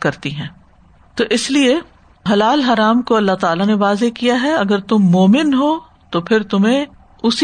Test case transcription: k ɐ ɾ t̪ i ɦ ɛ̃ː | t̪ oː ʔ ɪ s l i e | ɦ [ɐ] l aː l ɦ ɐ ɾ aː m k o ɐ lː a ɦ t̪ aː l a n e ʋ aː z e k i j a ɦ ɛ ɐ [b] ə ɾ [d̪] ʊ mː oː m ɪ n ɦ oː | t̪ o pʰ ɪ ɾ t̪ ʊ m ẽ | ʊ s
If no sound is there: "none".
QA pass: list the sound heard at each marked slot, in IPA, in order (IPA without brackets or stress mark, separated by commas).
ɐ, ɡ, t̪